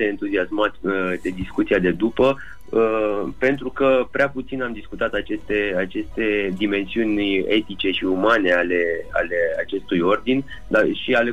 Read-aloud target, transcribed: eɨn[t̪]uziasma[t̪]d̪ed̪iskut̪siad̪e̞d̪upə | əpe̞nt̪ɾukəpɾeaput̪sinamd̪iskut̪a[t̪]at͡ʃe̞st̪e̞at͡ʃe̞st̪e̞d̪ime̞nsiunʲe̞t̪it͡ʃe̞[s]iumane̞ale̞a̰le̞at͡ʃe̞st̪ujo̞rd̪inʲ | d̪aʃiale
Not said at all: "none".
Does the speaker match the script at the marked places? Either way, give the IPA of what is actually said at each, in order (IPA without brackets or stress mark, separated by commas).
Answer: t̪, t̪, t̪, ʃ